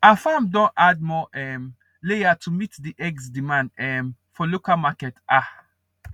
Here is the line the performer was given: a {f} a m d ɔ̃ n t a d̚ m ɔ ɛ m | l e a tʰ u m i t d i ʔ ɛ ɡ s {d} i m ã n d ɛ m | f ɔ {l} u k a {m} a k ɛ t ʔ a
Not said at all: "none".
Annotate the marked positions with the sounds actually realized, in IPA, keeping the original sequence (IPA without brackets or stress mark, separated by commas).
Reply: f, d, l, m